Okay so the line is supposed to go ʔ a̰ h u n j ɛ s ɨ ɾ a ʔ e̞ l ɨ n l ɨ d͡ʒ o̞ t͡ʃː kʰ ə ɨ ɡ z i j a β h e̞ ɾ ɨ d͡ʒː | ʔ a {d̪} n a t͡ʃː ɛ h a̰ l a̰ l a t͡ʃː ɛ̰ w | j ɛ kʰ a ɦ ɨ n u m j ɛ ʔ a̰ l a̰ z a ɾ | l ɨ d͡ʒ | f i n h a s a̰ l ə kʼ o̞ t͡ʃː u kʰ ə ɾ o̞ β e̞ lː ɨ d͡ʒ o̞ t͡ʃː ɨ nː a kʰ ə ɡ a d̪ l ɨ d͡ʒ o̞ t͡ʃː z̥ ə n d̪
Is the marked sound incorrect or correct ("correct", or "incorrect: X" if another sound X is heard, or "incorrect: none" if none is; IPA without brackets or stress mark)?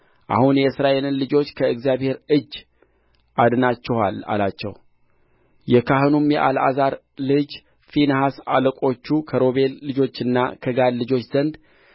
correct